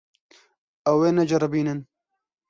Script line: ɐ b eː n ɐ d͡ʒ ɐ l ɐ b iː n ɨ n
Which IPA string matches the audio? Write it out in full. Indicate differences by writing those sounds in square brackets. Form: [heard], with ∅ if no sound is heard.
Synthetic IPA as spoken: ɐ [w] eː n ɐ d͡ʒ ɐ [ɾ] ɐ b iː n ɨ n

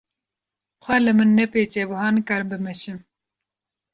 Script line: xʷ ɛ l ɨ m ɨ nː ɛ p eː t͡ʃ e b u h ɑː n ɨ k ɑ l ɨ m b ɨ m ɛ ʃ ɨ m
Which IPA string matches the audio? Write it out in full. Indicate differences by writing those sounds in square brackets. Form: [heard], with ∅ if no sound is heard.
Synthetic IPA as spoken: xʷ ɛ l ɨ m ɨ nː ɛ p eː t͡ʃ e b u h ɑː n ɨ k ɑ [ɾ] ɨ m b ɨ m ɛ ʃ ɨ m

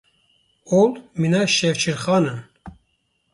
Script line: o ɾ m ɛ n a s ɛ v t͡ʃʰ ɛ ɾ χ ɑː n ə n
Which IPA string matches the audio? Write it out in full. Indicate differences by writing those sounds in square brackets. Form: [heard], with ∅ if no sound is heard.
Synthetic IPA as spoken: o [l] m [i] n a [ʃ] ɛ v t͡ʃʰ [i] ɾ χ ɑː n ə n

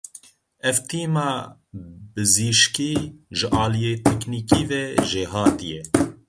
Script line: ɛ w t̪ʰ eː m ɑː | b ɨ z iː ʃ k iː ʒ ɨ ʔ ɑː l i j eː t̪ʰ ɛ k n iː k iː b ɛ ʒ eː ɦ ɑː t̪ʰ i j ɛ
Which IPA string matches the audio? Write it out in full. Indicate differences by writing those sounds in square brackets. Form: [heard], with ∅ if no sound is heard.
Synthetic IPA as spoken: ɛ [v] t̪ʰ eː m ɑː | b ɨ z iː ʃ k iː ʒ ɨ ʔ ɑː l i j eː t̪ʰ ɛ k n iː k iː [v] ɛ ʒ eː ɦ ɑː [t̪] i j ɛ

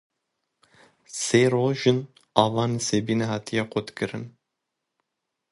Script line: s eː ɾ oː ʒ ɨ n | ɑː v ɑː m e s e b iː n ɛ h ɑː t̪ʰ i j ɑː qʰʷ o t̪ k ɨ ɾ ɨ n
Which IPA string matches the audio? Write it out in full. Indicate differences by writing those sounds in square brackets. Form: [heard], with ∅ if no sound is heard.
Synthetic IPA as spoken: s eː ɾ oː ʒ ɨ n | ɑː v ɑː [n] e s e b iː n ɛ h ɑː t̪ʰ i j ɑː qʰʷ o t̪ k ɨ ɾ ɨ n

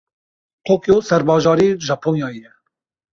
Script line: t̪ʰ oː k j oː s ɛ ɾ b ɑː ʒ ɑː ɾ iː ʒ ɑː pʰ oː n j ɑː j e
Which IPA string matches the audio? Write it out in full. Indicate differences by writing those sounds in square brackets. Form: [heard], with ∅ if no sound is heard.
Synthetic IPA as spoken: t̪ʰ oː k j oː s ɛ ɾ b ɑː ʒ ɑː ɾ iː ʒ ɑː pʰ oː n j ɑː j [ɛ]

